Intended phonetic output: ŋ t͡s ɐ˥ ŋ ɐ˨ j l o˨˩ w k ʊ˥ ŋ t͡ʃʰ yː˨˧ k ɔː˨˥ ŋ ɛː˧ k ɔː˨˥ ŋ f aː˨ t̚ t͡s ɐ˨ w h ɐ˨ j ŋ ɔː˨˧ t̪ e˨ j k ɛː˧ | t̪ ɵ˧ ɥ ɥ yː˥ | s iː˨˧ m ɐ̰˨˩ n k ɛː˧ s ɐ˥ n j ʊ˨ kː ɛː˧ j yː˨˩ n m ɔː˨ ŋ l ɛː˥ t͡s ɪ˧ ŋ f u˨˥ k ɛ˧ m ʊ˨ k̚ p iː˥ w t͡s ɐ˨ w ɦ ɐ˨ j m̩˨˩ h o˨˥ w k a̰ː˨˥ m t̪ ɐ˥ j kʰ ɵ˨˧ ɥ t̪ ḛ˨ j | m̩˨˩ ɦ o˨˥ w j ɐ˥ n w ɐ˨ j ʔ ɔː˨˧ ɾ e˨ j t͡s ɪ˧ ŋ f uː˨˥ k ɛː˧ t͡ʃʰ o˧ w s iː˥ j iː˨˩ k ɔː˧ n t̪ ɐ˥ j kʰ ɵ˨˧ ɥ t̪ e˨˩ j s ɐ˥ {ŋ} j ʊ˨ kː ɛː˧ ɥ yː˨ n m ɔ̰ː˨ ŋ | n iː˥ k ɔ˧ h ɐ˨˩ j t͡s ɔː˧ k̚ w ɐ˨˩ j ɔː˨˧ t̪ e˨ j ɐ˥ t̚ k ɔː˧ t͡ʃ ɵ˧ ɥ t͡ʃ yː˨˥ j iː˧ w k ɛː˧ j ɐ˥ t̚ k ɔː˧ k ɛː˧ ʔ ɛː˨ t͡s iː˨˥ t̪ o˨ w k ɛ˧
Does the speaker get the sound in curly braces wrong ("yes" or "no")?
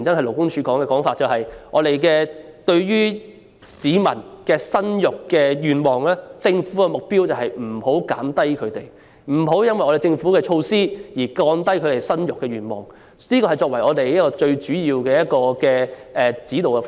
yes